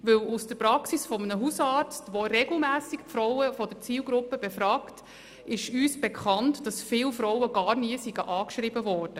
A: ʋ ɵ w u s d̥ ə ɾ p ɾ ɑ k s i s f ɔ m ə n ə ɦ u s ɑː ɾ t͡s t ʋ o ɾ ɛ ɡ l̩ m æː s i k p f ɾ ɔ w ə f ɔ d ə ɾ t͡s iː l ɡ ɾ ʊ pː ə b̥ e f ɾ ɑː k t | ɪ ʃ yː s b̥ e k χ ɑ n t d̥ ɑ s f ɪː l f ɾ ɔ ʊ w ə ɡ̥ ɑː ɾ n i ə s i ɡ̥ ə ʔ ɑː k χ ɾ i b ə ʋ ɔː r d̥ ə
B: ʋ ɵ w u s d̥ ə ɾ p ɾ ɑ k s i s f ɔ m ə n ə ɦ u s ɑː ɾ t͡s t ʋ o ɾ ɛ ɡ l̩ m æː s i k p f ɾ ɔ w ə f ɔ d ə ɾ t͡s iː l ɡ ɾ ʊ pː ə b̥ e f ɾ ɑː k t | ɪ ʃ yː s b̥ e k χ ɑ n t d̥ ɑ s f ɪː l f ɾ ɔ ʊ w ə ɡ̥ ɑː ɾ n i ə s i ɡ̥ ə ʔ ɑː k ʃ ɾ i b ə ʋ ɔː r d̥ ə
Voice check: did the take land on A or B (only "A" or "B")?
B